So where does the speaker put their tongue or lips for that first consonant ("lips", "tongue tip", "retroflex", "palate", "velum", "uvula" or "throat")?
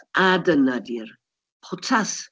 tongue tip